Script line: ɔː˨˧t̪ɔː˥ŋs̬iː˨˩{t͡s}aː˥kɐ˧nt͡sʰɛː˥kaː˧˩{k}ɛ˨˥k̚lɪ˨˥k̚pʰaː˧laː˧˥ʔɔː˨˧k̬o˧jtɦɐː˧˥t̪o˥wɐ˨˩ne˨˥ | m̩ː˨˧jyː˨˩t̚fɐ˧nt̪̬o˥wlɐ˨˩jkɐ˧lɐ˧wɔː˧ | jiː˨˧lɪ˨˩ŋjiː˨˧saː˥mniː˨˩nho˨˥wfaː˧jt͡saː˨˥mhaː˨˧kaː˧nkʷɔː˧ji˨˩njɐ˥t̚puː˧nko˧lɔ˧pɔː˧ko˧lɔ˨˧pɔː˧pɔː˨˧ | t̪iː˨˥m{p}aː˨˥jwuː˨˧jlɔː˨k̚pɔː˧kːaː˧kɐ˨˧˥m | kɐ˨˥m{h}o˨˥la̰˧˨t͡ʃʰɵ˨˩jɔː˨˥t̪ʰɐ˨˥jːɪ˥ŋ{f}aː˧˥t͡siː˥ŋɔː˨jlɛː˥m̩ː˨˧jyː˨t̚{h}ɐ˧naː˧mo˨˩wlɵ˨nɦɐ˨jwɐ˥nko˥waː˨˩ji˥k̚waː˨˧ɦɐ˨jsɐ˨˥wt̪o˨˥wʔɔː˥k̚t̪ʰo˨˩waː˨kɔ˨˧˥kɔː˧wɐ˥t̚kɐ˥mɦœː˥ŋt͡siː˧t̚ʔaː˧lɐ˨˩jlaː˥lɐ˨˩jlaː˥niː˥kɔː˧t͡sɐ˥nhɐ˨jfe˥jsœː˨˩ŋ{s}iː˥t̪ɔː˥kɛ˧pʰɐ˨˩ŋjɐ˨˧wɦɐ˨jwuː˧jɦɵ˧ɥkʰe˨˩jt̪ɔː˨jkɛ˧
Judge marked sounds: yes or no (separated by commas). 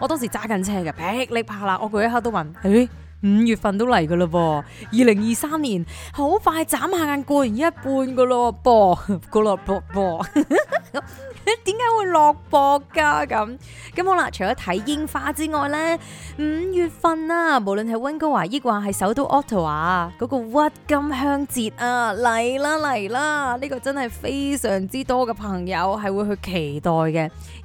yes, no, no, yes, yes, no, no